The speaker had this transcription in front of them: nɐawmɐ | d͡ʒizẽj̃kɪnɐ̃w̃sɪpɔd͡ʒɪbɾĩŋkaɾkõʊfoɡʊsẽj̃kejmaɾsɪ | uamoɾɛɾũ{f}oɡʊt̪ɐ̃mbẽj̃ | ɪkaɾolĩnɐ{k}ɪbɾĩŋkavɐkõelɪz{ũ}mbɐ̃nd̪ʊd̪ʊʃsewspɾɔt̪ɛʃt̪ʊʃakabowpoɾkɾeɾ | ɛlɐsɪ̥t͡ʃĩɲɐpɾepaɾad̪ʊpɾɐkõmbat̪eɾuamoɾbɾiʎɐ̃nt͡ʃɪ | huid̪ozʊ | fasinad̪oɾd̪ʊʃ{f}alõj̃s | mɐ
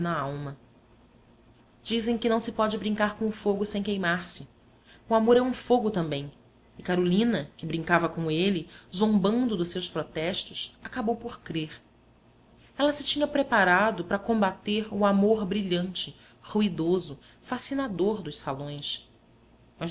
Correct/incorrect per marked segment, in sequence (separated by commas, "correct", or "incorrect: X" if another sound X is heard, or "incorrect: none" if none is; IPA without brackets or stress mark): correct, correct, incorrect: õ, incorrect: s